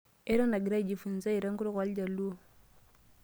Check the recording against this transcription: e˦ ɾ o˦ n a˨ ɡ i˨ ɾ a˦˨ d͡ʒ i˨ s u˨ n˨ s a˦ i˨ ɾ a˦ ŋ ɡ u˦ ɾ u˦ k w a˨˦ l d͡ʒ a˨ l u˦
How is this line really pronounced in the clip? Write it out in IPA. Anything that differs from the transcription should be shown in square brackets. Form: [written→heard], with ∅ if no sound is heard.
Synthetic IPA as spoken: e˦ ɾ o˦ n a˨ ɡ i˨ ɾ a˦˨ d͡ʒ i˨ [s→f] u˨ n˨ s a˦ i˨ ɾ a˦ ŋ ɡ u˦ ɾ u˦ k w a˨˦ l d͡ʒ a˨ l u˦